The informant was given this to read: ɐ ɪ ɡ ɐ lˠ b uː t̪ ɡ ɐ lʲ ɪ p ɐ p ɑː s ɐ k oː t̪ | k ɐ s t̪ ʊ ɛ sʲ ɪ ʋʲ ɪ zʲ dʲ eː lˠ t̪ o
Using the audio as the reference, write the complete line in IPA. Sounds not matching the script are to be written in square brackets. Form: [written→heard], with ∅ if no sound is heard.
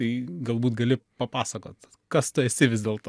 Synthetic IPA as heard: ɐ ɪ ɡ ɐ lˠ b uː t̪ ɡ ɐ lʲ ɪ p ɐ p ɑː s ɐ k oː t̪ | k ɐ s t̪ ʊ ɛ sʲ ɪ ʋʲ ɪ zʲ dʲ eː lˠ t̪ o